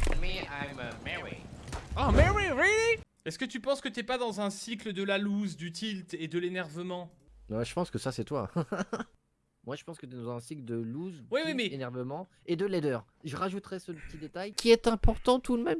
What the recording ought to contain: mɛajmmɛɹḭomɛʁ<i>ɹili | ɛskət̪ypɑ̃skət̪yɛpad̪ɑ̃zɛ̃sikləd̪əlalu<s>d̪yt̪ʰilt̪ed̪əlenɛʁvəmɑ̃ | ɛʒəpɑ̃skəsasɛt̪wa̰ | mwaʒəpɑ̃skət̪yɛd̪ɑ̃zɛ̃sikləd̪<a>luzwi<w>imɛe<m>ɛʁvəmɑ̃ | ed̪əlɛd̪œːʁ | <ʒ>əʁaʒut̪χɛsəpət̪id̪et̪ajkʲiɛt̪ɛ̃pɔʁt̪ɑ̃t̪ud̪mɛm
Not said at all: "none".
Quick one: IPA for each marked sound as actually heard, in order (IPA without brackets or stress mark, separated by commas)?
i, z, ə, w, n, ʒ